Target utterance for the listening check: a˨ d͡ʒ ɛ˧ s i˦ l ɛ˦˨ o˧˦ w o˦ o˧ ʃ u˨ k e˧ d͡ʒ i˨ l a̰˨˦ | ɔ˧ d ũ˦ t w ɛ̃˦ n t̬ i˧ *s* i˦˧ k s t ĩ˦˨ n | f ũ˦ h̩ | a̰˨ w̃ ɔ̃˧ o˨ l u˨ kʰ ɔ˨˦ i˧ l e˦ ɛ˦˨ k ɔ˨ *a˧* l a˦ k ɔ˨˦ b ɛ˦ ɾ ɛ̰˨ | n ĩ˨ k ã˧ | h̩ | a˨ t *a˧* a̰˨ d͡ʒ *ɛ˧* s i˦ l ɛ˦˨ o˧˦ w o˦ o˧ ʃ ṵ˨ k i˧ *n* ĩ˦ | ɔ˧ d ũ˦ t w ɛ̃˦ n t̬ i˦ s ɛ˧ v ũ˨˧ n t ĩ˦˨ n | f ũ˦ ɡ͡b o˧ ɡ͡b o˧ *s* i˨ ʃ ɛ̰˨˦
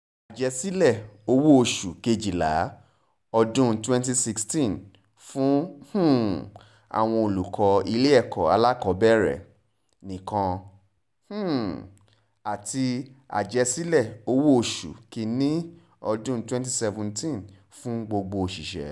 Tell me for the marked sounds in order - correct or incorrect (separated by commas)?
correct, correct, incorrect, correct, correct, incorrect